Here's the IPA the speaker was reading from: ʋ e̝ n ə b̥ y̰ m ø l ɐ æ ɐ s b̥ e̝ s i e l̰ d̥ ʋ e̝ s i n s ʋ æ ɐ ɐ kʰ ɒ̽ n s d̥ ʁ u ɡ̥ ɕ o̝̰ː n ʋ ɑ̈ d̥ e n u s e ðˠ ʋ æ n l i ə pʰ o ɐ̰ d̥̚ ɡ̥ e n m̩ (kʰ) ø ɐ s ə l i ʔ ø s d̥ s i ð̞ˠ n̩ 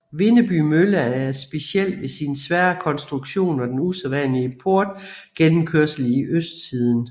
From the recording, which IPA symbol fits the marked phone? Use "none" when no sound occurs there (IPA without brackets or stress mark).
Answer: kʰ